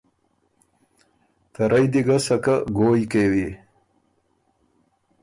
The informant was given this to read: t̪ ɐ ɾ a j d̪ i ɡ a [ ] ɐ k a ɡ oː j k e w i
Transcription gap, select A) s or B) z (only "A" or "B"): A